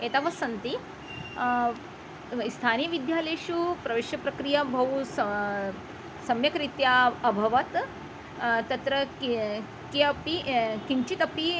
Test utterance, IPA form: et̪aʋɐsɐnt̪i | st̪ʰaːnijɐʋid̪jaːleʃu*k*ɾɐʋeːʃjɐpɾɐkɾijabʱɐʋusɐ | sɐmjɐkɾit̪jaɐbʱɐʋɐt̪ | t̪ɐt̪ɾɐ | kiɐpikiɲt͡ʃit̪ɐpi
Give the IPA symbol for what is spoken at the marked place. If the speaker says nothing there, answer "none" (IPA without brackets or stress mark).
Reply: p